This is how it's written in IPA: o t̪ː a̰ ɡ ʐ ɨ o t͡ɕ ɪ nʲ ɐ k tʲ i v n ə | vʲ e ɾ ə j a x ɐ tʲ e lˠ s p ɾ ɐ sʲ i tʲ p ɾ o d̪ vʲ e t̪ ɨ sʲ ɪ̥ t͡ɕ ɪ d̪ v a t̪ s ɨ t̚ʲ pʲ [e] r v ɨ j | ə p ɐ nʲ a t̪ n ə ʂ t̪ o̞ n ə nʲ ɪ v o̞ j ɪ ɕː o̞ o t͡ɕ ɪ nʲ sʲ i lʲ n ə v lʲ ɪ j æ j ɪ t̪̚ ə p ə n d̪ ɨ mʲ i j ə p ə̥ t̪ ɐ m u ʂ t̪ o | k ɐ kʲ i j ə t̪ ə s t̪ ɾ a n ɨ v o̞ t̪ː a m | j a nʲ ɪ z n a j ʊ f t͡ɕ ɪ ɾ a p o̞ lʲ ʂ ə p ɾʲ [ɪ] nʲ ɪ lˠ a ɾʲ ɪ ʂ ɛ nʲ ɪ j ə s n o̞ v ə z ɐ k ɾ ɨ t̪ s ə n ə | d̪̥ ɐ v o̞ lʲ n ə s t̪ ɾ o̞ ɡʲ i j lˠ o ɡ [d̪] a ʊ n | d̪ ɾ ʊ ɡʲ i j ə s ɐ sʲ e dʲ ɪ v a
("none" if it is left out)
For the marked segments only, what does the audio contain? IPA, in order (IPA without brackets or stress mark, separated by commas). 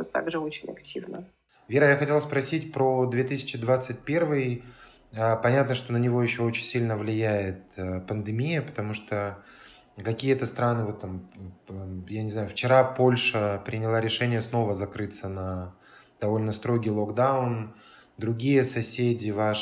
e, ɪ, d̪